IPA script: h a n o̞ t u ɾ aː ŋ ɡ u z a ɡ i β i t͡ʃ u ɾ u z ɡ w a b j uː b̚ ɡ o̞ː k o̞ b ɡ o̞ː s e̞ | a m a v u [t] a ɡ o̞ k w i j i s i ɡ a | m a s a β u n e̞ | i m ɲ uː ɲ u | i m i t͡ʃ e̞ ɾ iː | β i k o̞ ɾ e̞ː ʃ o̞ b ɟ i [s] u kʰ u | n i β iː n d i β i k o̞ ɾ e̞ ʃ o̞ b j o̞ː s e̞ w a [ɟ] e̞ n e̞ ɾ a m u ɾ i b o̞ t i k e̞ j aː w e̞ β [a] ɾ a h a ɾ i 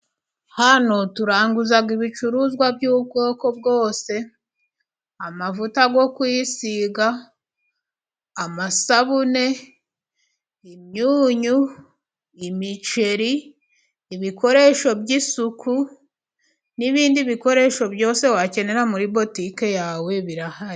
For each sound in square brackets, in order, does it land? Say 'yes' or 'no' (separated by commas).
yes, yes, no, no